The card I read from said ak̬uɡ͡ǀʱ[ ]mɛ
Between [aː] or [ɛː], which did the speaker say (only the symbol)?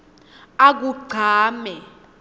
aː